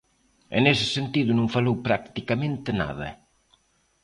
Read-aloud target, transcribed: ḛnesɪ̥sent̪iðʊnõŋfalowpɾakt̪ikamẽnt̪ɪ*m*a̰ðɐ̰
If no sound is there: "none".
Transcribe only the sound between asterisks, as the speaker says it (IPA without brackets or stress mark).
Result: n